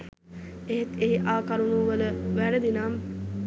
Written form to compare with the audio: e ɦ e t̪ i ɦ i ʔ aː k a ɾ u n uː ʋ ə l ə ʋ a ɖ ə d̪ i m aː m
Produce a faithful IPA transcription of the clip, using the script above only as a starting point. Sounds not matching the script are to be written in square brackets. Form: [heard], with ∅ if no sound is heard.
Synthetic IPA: e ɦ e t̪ [e] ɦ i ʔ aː k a ɾ u n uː ʋ ə l ə ʋ [æ] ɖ ə d̪ i [n] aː m